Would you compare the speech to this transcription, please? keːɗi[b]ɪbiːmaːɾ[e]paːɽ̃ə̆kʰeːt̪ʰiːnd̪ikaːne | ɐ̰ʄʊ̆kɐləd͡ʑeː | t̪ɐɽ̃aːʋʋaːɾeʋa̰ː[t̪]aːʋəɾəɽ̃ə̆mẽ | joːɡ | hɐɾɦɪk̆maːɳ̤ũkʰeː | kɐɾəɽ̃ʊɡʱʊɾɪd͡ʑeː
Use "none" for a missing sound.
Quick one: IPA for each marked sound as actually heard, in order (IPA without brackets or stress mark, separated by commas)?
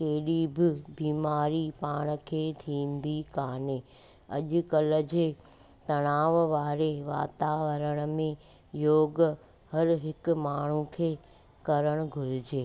b, i, t̪